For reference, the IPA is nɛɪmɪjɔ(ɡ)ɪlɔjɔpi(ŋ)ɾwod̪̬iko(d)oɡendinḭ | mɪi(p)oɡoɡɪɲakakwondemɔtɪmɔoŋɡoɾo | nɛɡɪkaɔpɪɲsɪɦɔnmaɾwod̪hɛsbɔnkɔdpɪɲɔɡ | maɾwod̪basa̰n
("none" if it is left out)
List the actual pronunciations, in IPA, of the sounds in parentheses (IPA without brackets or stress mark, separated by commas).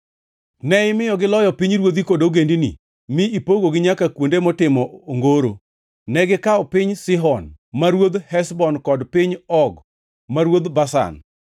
ɡ, ɲ, d, p